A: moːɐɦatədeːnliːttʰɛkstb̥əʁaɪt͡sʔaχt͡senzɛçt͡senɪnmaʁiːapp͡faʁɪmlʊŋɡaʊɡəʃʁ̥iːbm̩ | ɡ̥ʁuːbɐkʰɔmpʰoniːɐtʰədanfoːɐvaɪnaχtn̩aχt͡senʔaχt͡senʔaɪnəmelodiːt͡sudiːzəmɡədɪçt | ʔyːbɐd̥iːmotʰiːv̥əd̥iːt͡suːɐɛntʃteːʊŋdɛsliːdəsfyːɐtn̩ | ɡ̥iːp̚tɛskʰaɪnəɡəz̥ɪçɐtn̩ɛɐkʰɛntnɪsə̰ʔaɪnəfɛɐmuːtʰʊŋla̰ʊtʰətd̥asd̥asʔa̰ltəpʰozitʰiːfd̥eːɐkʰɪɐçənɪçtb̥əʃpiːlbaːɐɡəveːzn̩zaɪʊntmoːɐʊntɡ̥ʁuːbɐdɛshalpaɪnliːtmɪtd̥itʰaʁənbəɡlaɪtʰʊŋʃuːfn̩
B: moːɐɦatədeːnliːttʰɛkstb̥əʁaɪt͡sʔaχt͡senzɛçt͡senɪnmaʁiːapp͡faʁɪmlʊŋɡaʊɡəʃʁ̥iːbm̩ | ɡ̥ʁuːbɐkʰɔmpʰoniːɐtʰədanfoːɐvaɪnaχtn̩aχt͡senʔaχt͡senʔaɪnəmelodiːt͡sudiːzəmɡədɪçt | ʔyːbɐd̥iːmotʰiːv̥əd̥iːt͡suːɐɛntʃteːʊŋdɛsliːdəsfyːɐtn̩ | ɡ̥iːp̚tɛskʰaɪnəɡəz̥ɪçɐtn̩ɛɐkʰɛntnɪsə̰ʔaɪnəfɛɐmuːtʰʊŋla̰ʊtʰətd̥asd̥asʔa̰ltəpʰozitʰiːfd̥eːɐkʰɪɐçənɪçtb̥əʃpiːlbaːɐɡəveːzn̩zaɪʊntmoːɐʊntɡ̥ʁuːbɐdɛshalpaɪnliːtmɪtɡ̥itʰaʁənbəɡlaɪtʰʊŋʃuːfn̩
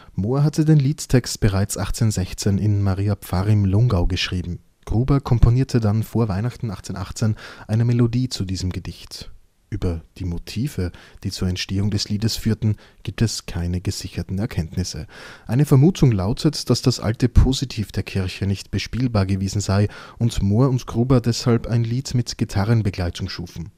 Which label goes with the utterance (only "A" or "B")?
B